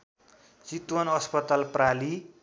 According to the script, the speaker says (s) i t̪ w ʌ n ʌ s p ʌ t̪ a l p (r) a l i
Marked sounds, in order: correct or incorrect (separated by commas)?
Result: incorrect, correct